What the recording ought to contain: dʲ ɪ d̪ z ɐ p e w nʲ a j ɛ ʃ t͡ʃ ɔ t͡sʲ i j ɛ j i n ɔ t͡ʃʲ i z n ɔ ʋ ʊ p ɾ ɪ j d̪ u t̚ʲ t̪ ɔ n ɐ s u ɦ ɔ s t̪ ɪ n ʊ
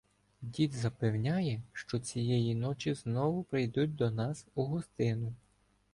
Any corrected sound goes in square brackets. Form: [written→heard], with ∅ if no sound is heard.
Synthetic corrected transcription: dʲ [ɪ→i] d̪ z ɐ p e w nʲ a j ɛ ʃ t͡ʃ ɔ t͡sʲ i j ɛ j i n ɔ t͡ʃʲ i z n ɔ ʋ ʊ p ɾ ɪ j d̪ u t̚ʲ [t̪→d̪] ɔ n [ɐ→ɑ] s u ɦ ɔ s t̪ ɪ n ʊ